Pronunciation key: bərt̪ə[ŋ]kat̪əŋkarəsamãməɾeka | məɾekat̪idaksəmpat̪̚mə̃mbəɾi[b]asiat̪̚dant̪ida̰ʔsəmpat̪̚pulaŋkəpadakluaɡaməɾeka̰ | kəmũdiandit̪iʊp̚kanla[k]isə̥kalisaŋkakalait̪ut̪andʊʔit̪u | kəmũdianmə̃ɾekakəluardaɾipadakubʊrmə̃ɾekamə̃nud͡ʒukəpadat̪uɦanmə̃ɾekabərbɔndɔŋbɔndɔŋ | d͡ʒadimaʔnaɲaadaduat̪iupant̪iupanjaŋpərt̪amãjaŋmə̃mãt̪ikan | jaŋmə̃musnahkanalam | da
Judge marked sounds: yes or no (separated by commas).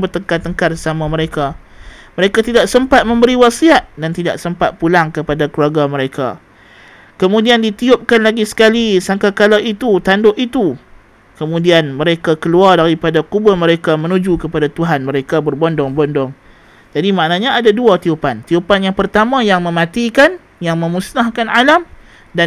yes, no, no